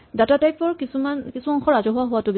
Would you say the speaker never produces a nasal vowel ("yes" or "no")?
yes